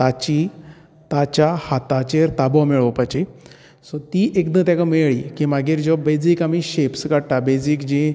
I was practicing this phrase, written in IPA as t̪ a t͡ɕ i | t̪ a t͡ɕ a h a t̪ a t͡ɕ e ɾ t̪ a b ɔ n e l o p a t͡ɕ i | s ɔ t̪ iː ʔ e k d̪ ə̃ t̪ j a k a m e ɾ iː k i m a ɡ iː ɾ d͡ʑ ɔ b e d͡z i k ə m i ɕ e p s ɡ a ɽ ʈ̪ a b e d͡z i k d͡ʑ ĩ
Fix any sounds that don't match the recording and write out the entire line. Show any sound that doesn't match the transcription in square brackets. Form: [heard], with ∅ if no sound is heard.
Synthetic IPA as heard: t̪ a t͡ɕ i | t̪ a t͡ɕ a h a t̪ a t͡ɕ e ɾ t̪ a b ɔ [m] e [ɭ] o p a t͡ɕ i | s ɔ t̪ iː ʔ e k d̪ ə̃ t̪ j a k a m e [ɭ] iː k i m a ɡ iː ɾ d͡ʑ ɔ b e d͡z i k [a] m i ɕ e p s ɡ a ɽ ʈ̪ a b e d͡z i k d͡ʑ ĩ